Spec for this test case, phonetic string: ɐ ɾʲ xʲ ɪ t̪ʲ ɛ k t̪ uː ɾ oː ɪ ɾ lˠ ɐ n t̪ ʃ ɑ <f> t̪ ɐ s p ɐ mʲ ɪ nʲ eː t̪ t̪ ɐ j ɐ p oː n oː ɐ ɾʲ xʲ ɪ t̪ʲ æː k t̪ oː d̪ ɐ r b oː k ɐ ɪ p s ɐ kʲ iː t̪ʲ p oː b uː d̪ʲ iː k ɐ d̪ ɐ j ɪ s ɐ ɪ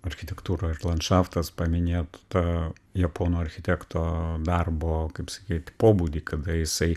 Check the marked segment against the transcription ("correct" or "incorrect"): correct